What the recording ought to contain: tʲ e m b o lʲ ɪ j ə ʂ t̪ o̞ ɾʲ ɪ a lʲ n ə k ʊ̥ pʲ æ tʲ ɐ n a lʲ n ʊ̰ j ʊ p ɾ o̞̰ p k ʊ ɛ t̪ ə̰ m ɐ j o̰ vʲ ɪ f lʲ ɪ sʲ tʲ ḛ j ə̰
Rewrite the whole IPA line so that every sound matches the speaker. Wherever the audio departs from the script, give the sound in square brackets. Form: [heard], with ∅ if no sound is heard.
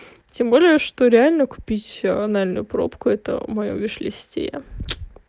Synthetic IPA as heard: tʲ e m b o lʲ ɪ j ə ʂ t̪ o̞ ɾʲ ɪ a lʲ n ə k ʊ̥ pʲ [i] tʲ ɐ n a lʲ n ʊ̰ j ʊ p ɾ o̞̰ p k ʊ ɛ t̪ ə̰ m ɐ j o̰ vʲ ɪ [ʂ] lʲ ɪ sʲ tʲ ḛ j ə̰